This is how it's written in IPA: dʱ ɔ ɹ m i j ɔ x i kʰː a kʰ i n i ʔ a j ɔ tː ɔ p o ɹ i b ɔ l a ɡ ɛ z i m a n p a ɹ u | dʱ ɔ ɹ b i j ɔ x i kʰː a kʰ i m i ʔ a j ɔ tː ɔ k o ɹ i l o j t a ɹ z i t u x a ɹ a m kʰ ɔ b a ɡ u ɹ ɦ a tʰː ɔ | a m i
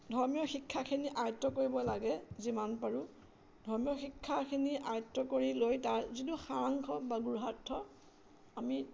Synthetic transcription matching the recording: dʱ ɔ ɹ m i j ɔ x i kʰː a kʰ i n i ʔ a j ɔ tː ɔ k o ɹ i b ɔ l a ɡ ɛ z i m a n p a ɹ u | dʱ ɔ ɹ m i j ɔ x i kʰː a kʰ i n i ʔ a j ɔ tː ɔ k o ɹ i l o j t a ɹ z i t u x a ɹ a ŋ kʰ ɔ b a ɡ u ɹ ɦ a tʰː ɔ | a m i